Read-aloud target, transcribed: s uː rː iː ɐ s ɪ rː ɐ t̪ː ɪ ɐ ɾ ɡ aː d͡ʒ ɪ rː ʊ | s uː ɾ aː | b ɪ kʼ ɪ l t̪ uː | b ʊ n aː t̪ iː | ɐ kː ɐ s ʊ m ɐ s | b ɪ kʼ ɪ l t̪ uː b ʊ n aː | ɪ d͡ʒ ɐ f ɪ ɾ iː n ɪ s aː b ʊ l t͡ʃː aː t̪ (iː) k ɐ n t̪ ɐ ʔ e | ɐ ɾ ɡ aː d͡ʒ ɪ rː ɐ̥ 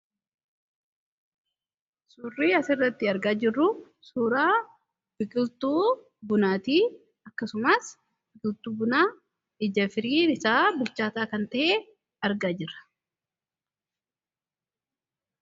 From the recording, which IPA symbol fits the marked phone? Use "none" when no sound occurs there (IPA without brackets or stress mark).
aː